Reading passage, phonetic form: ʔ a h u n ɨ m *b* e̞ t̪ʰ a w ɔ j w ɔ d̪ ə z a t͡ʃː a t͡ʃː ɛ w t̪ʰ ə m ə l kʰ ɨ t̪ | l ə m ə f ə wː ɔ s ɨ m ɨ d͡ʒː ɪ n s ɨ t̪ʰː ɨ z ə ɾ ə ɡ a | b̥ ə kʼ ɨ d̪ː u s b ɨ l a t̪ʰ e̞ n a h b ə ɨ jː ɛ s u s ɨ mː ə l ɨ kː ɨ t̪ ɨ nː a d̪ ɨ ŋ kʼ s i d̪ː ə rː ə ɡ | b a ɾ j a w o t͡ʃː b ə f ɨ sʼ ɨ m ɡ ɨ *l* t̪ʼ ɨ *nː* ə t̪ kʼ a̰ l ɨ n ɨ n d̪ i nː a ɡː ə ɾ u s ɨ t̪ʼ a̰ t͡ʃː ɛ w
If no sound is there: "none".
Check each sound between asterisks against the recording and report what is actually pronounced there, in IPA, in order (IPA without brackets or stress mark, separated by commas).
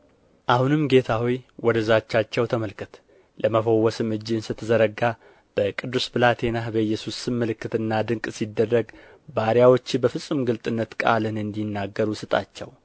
ɡ, l, nː